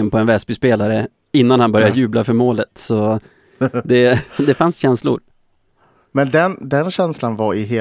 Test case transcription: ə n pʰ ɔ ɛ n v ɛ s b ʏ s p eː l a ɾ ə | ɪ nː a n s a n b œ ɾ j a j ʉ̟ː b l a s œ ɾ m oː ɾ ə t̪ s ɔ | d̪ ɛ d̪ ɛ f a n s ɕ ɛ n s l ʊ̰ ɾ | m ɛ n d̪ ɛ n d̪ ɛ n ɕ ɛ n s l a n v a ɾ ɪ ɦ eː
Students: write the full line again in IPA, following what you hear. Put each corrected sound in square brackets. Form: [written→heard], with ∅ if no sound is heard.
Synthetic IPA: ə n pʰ ɔ ɛ n v ɛ s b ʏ s p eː l a ɾ ə | ɪ nː a n [s→h] a n b œ ɾ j a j ʉ̟ː b l a [s→f] œ ɾ m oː [ɾ→l] ə t̪ s ɔ | d̪ ɛ d̪ ɛ f a n s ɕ ɛ n s l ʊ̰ ɾ | m ɛ n d̪ ɛ n d̪ ɛ n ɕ ɛ n s l a n v a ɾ ɪ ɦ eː